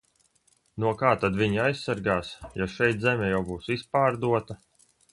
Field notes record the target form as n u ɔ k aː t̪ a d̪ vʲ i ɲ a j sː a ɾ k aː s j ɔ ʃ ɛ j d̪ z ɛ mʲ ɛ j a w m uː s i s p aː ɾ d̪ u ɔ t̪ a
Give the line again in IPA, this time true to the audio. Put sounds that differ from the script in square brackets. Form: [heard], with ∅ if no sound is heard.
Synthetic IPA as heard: n u ɔ k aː t̪ a d̪ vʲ i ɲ a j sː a ɾ [ɡ] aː s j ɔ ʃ ɛ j [t̪] z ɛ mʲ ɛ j a w [b] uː s i s p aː ɾ d̪ u ɔ t̪ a